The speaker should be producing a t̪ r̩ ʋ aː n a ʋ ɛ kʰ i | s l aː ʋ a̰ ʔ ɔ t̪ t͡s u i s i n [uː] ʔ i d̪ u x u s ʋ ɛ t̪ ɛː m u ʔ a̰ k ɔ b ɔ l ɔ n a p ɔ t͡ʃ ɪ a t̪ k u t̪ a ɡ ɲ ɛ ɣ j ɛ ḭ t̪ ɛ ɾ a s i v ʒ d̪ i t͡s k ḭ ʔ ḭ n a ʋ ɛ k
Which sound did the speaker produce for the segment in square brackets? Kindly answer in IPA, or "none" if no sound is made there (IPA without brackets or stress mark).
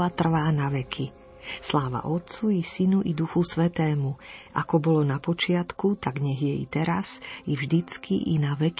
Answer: u